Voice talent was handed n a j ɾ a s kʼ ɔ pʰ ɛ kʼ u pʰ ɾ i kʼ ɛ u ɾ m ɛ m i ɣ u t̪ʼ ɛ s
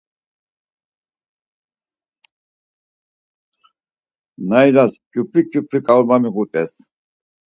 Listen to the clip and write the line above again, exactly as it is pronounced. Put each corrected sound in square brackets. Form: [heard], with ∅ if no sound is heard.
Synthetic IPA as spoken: n a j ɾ a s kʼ [u] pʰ [i] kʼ u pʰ ɾ i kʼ [a] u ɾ m [a] m i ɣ u t̪ʼ ɛ s